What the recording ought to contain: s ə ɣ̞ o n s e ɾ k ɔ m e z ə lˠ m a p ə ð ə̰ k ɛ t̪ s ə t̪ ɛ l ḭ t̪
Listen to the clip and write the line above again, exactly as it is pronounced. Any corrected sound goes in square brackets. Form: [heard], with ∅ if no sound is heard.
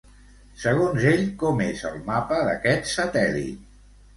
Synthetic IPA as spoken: s ə ɣ̞ o n [z] e [ʎ] k ɔ m e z ə lˠ m a p ə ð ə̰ k ɛ t̪ s ə t̪ ɛ l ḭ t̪